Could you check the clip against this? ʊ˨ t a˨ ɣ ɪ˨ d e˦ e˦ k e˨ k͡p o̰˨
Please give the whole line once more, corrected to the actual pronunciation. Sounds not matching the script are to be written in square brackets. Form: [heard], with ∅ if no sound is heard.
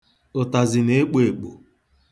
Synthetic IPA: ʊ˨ t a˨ [z] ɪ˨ [n] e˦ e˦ [k͡p] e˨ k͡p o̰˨